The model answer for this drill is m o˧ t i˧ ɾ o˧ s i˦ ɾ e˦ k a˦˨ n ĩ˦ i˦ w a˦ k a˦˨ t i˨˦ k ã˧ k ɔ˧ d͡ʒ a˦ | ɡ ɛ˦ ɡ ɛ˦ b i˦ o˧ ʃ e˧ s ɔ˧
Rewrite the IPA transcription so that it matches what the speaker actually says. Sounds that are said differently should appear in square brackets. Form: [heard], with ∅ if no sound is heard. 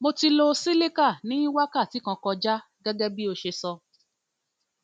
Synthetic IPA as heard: m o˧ t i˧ [l] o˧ s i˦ [l] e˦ k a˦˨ n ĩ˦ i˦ w a˦ k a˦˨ t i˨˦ k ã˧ k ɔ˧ d͡ʒ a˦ | ɡ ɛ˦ ɡ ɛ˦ b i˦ o˧ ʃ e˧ s ɔ˧

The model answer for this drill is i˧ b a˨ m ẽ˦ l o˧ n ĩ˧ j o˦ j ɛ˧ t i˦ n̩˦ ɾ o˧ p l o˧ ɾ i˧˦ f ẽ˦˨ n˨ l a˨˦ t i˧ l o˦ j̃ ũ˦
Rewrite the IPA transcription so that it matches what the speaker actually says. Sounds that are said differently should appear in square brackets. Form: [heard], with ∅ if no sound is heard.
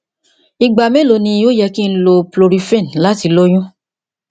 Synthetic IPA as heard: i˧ [ɡ͡b] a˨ m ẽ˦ l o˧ n ĩ˧ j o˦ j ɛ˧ [k] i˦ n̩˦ [l] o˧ p l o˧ ɾ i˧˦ f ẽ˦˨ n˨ l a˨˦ t i˧ l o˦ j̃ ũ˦

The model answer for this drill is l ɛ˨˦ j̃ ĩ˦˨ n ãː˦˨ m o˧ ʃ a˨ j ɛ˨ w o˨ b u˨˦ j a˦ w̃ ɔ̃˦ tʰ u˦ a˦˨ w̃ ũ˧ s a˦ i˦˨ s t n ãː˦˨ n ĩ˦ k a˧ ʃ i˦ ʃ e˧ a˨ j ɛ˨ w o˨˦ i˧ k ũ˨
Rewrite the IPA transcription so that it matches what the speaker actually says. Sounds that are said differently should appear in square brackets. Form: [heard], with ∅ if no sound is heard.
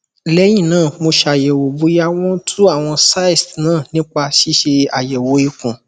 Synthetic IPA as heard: l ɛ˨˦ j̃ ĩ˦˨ n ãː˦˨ m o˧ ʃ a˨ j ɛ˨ w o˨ b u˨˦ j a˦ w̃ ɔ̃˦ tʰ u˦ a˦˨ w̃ [ɔ̃˧] s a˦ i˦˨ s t n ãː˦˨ n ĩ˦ [k͡p] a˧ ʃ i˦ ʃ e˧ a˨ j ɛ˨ w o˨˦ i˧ k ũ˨

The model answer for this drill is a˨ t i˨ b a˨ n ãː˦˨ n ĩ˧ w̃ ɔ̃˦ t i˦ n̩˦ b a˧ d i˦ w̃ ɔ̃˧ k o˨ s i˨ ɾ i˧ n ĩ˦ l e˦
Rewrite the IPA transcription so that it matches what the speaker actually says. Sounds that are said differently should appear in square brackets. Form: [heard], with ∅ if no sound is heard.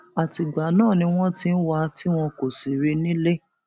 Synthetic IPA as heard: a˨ t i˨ [ɡ͡b] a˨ n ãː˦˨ n ĩ˧ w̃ ɔ̃˦ t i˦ n̩˦ [w] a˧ [t] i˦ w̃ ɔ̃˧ k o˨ s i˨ ɾ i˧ n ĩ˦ l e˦

